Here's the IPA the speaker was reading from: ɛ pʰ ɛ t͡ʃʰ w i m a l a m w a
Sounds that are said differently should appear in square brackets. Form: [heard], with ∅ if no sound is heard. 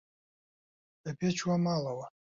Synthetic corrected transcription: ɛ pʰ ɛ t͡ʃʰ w [a] m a l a [∅] w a

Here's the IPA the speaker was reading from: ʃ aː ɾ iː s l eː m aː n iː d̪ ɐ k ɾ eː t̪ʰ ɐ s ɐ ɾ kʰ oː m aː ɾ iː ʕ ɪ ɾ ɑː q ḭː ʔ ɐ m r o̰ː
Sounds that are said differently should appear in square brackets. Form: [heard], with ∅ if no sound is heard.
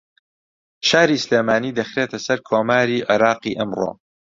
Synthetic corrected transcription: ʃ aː ɾ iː s l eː m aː n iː d̪ ɐ [x] ɾ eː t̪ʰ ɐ s ɐ ɾ kʰ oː m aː ɾ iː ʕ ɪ ɾ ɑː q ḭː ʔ ɐ m r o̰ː

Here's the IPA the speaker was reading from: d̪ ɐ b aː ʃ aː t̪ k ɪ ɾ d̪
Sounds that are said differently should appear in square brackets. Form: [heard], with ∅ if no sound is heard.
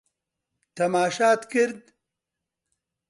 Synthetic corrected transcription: [t̪] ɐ [m] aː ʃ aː t̪ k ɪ ɾ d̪

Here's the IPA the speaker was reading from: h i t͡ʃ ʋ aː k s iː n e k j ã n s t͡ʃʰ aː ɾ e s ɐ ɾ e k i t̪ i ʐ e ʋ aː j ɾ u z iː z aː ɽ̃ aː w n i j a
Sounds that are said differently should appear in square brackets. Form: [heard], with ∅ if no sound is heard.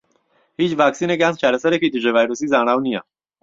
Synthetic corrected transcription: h i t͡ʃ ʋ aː k s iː n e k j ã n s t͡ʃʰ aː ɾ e s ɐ ɾ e k i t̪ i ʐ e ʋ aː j ɾ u [s] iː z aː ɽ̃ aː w n i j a

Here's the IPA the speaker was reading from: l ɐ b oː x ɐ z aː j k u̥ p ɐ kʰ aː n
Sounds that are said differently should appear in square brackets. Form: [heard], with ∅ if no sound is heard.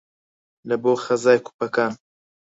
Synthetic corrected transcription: l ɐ b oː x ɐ z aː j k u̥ p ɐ [k] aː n

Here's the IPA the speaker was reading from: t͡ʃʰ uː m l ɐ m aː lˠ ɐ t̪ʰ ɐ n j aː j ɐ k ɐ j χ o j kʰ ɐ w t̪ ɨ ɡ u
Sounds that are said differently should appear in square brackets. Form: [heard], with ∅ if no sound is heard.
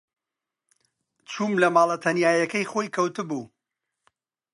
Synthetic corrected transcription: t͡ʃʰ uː m l ɐ m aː lˠ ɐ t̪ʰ ɐ n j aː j ɐ k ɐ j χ o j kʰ ɐ w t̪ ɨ [b] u

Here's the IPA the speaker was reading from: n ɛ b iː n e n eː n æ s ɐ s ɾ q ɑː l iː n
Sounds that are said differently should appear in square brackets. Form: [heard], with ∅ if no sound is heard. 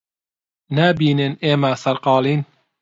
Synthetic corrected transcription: n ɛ b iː n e n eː [m] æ s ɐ [∅] ɾ q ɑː l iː n

